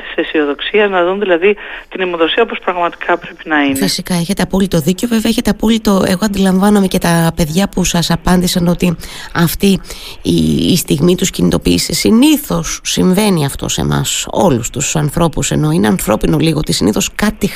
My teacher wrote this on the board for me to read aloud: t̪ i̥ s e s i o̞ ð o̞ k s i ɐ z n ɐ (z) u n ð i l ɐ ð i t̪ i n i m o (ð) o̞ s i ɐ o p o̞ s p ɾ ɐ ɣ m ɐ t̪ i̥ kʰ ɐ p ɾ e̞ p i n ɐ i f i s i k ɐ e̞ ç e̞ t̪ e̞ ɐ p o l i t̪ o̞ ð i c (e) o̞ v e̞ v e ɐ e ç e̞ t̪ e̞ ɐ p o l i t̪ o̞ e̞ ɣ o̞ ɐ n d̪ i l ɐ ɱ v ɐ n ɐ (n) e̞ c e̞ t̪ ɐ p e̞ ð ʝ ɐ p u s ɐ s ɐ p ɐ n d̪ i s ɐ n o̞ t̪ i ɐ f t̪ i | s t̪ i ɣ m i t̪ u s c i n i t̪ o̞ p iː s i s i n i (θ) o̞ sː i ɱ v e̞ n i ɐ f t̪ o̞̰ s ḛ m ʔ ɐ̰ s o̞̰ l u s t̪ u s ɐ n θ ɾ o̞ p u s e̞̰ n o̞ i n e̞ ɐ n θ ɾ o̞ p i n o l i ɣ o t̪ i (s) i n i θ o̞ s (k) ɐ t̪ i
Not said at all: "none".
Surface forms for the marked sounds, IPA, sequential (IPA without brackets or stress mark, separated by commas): ð, ð, e, m, θ, s, k